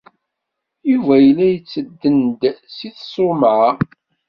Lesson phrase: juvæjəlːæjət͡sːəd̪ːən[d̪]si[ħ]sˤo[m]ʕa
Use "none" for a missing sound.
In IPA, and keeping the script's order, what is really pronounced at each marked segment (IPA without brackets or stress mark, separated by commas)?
d̪, θ, m